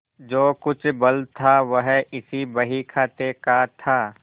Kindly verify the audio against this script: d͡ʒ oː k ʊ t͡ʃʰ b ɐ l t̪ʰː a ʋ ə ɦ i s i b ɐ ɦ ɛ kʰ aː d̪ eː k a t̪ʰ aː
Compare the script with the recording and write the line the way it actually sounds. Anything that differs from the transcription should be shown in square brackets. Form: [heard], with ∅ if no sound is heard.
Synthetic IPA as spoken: d͡ʒ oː k ʊ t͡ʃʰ b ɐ l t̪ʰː a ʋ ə ɦ [ɪ] s i b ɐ ɦ [i] kʰ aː [t̪] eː k a t̪ʰ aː